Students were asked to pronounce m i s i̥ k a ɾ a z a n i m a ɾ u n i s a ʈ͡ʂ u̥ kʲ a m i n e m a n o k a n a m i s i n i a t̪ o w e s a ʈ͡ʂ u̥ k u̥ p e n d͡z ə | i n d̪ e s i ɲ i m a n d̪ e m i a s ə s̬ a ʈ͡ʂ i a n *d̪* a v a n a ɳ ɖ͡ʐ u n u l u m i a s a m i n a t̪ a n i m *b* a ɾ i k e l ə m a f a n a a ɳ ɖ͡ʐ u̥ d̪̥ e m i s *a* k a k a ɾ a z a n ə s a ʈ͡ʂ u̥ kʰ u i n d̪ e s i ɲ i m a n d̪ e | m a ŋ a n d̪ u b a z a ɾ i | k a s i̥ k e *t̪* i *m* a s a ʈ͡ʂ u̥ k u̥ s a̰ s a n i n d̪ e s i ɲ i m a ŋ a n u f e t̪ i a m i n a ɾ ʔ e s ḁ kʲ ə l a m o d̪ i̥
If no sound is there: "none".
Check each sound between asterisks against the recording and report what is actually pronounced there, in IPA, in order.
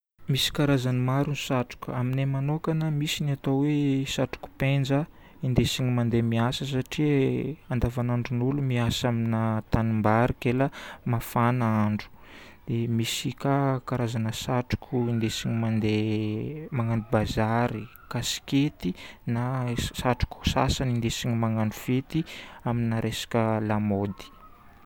d̪, b, i, t̪, n

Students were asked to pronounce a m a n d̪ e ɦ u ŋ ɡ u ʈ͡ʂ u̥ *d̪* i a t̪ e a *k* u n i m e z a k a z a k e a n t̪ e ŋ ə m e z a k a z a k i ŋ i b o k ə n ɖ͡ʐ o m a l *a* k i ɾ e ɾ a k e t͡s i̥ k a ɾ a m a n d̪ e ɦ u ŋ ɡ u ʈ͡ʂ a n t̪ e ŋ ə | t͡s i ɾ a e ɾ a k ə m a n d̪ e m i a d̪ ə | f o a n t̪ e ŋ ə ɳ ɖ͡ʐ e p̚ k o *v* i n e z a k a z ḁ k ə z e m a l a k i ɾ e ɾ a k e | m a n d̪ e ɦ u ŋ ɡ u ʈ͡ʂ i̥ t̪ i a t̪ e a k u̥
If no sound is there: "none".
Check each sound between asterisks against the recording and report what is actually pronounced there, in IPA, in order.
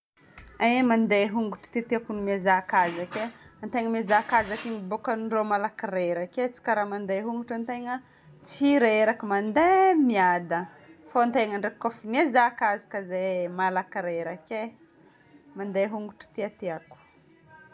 t̪, k, a, f

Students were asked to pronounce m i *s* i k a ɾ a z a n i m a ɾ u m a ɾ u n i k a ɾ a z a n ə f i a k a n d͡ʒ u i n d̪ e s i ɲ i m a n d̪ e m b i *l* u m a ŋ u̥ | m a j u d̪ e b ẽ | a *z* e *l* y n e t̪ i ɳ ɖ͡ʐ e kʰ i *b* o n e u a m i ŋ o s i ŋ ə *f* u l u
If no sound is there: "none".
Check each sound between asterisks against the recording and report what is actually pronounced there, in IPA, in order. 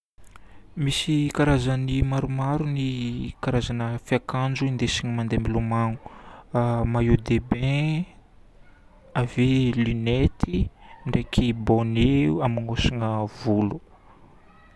s, l, v, l, b, v

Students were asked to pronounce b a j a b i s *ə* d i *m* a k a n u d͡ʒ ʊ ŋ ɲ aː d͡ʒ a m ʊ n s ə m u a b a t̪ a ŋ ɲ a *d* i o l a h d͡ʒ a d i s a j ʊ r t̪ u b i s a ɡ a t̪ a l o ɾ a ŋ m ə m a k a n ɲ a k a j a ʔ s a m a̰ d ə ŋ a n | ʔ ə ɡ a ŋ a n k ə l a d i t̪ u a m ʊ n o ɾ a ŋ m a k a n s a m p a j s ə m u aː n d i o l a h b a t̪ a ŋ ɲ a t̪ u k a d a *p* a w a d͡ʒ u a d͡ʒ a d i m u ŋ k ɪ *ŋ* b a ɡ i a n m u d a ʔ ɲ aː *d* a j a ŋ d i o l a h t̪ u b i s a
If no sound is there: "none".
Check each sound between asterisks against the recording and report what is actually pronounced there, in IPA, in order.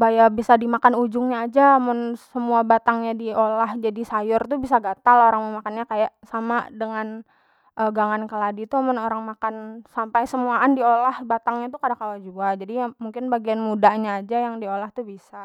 a, m, d, k, n, d͡ʒ

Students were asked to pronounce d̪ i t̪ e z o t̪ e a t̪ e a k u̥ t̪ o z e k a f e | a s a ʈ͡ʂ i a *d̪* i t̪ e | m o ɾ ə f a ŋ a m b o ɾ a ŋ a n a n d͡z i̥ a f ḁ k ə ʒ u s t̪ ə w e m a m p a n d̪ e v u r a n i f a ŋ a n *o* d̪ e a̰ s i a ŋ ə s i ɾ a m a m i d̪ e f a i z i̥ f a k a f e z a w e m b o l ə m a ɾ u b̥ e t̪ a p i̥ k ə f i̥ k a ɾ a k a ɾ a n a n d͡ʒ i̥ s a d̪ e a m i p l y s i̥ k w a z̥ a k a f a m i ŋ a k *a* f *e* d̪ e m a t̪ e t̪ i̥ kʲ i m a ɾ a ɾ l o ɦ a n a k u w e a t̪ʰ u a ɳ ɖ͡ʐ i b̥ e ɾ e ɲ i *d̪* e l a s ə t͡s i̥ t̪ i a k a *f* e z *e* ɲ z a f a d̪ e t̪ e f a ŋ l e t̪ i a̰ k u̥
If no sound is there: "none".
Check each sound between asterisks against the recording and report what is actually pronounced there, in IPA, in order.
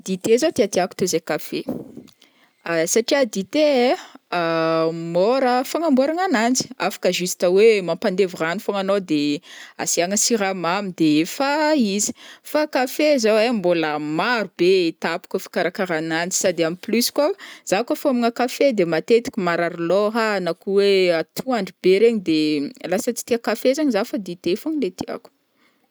d̪, o, a, e, d̪, f, a

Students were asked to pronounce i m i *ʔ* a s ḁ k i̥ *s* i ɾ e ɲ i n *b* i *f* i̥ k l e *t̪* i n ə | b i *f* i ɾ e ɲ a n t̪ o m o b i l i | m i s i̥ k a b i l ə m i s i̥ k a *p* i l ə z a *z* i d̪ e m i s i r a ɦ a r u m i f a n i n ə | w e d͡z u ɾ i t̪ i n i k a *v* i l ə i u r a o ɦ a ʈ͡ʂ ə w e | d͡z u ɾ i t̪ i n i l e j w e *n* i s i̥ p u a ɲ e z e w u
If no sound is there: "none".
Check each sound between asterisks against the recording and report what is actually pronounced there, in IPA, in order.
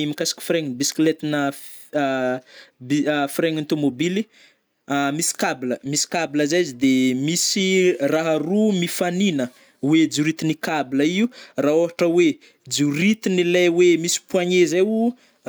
k, f, b, s, t̪, f, b, z, b, m

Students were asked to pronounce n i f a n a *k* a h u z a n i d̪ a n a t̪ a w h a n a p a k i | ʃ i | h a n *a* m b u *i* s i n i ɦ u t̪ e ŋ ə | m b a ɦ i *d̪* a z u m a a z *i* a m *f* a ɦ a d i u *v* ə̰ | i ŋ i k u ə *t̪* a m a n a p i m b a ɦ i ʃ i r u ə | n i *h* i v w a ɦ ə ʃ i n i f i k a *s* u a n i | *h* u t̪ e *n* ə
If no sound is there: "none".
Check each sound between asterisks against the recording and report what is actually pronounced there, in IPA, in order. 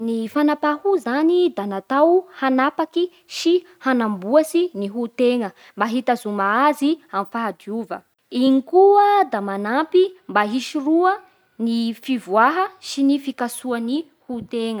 p, a, a, t̪, i, f, v, d̪, f, s, h, ŋ

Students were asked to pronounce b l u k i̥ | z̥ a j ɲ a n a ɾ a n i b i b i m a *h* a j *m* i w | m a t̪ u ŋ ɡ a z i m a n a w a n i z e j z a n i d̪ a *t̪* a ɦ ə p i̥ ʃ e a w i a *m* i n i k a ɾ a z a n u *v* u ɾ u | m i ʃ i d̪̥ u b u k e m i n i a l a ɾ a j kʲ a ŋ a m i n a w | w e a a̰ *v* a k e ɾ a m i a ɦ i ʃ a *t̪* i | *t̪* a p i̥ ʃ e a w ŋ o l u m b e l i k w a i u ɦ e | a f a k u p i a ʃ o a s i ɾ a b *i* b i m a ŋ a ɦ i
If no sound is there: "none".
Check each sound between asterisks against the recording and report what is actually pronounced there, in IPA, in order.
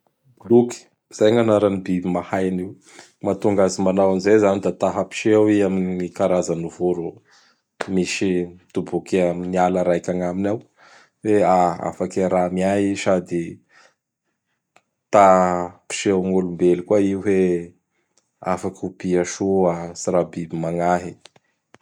h, n, t̪, m, v, f, d̪, t̪, i

